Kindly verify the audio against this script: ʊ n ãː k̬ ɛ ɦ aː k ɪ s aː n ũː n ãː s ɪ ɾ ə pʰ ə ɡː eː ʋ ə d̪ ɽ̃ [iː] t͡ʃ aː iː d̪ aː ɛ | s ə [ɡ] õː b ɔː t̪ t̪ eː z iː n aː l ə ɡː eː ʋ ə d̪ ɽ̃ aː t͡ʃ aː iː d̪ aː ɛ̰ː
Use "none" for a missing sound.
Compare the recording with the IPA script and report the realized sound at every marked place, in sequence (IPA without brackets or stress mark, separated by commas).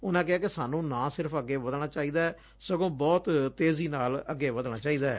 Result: aː, ɡ